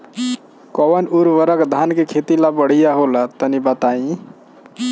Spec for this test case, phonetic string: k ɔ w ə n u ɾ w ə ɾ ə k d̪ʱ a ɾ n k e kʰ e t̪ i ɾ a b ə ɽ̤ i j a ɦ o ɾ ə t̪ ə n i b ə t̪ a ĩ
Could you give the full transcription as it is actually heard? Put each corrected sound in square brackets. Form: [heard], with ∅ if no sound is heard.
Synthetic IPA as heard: k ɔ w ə n u ɾ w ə ɾ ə k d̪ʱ a [∅] n k e kʰ e t̪ i [l] a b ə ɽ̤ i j a ɦ o [l] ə t̪ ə n i b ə t̪ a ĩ